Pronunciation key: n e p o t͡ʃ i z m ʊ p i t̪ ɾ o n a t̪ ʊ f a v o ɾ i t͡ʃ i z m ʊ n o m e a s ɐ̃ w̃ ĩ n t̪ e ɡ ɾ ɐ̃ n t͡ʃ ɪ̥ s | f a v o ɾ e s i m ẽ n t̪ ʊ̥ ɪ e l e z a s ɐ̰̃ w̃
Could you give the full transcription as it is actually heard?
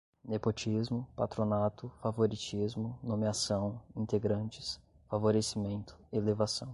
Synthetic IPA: n e p o t͡ʃ i z m ʊ p a t̪ ɾ o n a t̪ ʊ f a v o ɾ i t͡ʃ i z m ʊ n o m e a s ɐ̃ w̃ ĩ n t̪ e ɡ ɾ ɐ̃ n t͡ʃ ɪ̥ s | f a v o ɾ e s i m ẽ n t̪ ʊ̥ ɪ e l e v a s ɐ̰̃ w̃